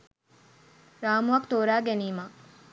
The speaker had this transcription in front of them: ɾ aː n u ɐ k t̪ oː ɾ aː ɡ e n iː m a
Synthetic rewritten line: ɾ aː m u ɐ k t̪ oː ɾ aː ɡ e n iː m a

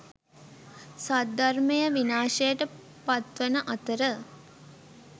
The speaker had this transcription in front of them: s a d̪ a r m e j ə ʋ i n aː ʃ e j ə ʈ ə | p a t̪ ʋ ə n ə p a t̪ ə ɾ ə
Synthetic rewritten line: s a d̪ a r m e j ə ʋ i n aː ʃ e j ə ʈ ə | p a t̪ ʋ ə n ə ʔ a t̪ ə ɾ ə

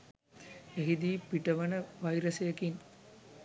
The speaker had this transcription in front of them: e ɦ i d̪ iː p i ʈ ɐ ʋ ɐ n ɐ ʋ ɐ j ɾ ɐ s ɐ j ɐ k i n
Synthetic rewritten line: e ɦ i d̪ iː p i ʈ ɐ ʋ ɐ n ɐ ʋ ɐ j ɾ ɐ s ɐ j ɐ k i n

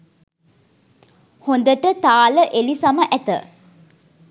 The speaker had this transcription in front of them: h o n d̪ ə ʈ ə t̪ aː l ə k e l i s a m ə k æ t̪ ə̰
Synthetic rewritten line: h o n d̪ ə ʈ ə t̪ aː l ə ʔ e l i s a m ə ʔ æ t̪ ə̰

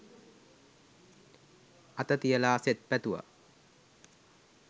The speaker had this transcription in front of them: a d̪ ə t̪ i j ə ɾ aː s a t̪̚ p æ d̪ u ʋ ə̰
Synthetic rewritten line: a t̪ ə t̪ i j ə l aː s e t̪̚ p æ t̪ u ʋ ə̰

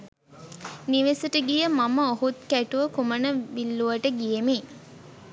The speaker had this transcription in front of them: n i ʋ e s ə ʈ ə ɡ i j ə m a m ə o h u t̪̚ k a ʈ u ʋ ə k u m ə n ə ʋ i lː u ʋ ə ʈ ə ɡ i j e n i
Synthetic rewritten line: n i ʋ e s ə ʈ ə ɡ i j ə m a m ə o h u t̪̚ k æ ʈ u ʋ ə k u m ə n ə ʋ i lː u ʋ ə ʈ ə ɡ i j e m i

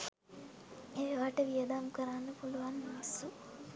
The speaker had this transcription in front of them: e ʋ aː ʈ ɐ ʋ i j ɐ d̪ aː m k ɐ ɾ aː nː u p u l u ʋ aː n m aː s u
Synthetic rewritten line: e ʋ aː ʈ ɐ ʋ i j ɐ d̪ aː m k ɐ ɾ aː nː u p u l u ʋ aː n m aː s u

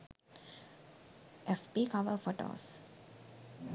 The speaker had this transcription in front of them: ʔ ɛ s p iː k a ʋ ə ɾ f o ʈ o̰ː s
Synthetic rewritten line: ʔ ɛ f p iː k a ʋ ə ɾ f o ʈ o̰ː s

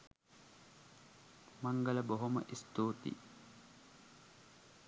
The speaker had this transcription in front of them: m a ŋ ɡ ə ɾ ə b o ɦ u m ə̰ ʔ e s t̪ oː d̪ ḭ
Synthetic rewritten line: m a ŋ ɡ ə l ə b o ɦ o m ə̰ ʔ i s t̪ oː t̪ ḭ

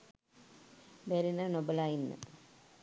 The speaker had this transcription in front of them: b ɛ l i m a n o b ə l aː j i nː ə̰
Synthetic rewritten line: b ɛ ɾ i n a n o b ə l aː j i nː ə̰

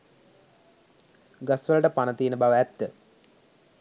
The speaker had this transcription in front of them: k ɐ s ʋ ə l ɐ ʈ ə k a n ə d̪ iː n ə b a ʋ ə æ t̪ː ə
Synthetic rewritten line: ɡ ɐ s ʋ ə l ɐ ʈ ə p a n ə t̪ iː n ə b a ʋ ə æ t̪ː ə

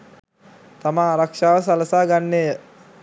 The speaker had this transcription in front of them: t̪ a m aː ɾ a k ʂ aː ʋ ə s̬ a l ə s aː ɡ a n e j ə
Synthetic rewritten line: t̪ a m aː ɾ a k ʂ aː ʋ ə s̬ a l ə s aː ɡ a nː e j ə

